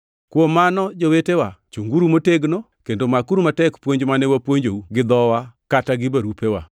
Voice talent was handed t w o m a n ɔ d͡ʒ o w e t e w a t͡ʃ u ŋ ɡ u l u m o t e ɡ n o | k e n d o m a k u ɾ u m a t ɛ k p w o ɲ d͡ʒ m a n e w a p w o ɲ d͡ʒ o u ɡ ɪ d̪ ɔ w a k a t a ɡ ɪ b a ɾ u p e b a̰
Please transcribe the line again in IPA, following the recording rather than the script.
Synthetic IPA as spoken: k w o m a n ɔ d͡ʒ o w e t e w a t͡ʃ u ŋ ɡ u ɾ u m o t e ɡ n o | k e n d o m a k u ɾ u m a t ɛ k p w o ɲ d͡ʒ m a n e w a p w o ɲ d͡ʒ o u ɡ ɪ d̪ ɔ w a k a t a ɡ ɪ b a ɾ u p e w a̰